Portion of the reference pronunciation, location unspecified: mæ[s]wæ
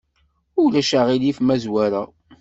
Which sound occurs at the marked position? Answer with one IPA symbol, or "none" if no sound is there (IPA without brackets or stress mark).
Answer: z